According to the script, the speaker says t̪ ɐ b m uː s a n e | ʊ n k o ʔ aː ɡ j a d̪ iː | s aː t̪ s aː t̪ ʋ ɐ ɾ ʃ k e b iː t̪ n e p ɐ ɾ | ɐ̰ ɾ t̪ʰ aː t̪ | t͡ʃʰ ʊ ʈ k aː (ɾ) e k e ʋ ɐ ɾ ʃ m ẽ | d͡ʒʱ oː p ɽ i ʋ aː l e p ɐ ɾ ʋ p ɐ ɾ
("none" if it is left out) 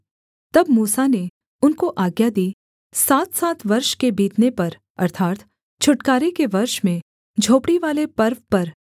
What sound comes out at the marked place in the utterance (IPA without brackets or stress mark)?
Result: ɾ